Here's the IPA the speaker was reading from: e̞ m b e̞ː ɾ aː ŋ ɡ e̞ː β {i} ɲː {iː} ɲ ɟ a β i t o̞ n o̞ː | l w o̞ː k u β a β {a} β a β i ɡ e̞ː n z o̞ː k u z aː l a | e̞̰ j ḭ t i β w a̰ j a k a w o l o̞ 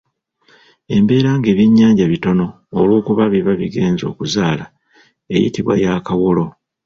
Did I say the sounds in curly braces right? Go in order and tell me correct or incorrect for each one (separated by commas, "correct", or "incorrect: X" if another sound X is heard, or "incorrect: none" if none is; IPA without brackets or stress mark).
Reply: correct, incorrect: aː, incorrect: i